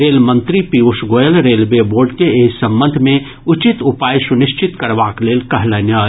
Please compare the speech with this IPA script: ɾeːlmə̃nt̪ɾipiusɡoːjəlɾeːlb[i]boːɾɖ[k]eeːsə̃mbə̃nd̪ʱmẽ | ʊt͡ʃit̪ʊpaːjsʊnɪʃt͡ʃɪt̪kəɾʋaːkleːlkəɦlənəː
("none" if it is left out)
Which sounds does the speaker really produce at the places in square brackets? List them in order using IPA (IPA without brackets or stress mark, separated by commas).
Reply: e, k